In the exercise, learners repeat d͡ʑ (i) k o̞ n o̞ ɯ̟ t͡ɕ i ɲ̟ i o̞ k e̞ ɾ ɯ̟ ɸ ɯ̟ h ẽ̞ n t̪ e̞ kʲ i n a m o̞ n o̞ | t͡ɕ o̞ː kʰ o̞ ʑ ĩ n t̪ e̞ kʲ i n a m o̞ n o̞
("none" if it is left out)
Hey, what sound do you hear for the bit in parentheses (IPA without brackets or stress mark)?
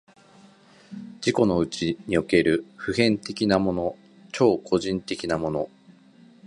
i